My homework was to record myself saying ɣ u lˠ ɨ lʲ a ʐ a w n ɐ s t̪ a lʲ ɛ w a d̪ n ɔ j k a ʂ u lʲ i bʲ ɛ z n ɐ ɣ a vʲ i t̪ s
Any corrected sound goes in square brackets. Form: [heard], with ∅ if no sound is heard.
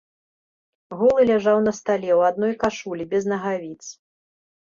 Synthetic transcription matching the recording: ɣ u lˠ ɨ lʲ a ʐ a w n ɐ s t̪ a lʲ ɛ w a d̪ n ɔ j k a ʂ u lʲ i bʲ ɛ z n ɐ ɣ a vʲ i t̪ s